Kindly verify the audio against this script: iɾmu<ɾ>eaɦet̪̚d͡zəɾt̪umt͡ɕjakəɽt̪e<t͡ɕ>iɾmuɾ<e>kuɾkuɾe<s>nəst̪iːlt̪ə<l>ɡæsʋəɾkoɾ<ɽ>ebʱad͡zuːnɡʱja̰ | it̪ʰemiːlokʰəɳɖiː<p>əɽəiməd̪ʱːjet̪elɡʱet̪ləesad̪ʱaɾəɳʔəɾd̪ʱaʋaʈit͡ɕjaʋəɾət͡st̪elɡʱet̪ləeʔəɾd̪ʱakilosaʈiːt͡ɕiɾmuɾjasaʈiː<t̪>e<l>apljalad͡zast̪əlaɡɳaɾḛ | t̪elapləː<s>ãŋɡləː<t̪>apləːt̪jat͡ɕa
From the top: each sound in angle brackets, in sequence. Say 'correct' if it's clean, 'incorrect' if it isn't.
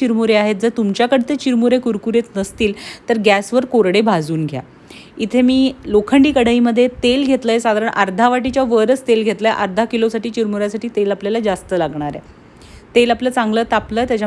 correct, correct, correct, incorrect: t͡s, incorrect: ɾ, correct, incorrect: k, correct, correct, incorrect: t͡s, correct

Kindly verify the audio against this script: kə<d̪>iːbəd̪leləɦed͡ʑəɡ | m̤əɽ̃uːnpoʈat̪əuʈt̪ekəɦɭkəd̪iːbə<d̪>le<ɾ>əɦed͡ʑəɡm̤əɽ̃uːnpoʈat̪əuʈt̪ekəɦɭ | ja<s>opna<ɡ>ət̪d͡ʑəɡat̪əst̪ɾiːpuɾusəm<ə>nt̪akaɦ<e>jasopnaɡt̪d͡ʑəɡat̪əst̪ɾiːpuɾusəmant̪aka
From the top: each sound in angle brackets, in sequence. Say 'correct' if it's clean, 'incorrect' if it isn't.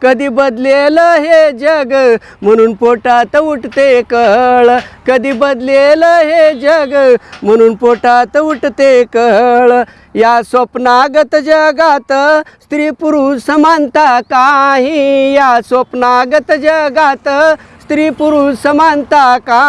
correct, correct, incorrect: l, correct, correct, incorrect: a, incorrect: i

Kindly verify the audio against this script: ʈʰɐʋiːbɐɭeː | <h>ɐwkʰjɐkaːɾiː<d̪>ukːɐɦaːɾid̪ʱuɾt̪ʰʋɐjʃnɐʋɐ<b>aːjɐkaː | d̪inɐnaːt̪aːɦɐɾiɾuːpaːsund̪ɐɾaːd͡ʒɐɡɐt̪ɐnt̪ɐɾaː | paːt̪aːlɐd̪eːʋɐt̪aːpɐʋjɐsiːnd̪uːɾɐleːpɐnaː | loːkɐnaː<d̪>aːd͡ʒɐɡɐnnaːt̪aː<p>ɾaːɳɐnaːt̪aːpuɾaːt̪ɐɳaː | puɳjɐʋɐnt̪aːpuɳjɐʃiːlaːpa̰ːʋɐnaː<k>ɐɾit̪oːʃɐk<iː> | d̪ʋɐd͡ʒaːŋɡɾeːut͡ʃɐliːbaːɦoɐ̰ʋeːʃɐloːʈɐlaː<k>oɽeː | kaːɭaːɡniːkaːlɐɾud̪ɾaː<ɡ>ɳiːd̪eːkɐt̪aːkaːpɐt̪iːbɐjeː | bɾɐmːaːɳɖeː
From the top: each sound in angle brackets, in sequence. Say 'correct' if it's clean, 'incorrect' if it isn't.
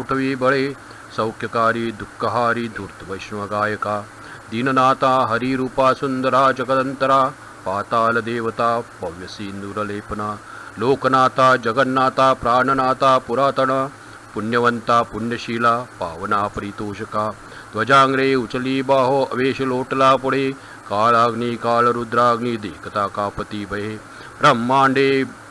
incorrect: s, correct, incorrect: ɡ, incorrect: t̪, correct, incorrect: p, incorrect: aː, incorrect: p, correct

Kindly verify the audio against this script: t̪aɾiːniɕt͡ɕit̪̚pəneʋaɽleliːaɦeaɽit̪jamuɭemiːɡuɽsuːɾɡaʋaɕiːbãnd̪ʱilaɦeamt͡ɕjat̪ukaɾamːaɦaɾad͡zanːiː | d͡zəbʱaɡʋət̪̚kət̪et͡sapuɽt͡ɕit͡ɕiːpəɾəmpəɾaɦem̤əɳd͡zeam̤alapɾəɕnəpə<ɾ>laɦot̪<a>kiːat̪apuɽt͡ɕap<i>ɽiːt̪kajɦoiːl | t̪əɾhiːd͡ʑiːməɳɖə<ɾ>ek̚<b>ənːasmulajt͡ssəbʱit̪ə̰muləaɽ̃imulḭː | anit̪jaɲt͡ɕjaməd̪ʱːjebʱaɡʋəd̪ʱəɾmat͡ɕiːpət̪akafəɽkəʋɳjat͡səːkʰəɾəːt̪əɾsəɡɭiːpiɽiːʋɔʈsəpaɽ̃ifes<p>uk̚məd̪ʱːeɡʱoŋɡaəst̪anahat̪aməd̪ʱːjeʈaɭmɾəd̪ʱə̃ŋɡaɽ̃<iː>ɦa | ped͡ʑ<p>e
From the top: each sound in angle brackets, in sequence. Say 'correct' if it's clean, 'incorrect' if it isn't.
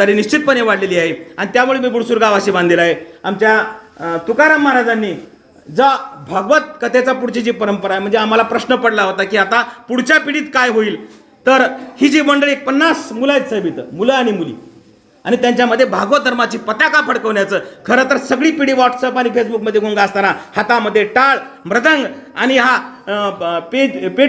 incorrect: ɽ, correct, correct, incorrect: ɭ, incorrect: p, incorrect: b, incorrect: i, correct

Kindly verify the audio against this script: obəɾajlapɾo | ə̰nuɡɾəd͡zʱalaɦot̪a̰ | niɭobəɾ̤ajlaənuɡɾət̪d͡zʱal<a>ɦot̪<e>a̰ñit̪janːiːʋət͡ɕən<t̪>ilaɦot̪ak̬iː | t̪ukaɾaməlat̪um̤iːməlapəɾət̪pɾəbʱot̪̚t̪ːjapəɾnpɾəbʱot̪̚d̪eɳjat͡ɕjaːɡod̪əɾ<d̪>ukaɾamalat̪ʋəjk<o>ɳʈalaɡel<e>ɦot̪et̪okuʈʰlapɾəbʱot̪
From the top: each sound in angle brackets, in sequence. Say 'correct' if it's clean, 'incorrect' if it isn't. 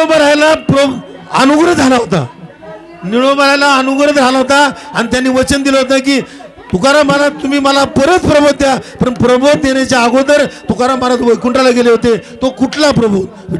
correct, incorrect: a, incorrect: d̪, incorrect: t̪, incorrect: u, correct

